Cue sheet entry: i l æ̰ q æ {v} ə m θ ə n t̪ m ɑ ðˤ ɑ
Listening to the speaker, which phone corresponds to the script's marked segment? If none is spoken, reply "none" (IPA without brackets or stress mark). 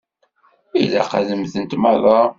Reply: ð